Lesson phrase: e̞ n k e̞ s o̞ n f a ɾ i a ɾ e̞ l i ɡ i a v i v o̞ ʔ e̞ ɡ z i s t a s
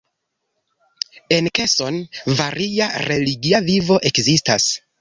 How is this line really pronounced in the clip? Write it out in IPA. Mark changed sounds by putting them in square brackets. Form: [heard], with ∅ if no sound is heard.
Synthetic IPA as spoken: e̞ n k e̞ s o̞ n [v] a ɾ i a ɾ e̞ l i ɡ i a v i v o̞ ʔ e̞ [k] z i s t a s